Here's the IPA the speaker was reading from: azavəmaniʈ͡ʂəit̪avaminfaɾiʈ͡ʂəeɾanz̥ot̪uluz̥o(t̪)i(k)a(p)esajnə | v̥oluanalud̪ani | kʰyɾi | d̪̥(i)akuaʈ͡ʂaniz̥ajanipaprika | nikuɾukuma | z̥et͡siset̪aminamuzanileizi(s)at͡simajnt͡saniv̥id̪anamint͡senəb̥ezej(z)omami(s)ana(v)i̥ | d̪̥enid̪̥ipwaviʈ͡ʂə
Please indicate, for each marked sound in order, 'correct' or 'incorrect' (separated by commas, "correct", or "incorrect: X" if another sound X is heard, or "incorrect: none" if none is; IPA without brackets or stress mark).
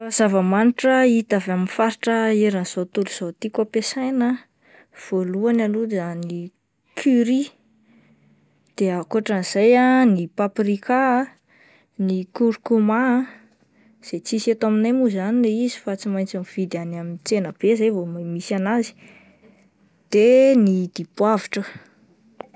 correct, correct, correct, incorrect: e, incorrect: f, incorrect: v, correct, incorrect: z